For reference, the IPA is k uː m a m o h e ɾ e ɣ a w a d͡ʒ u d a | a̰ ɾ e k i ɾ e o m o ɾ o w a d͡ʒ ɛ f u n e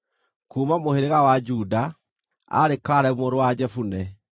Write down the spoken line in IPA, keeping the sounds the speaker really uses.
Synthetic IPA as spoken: k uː m a m o h e ɾ e ɣ a w a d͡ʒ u d a | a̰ ɾ e k a ɾ ɛ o m o ɾ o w a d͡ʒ ɛ f u n ɛ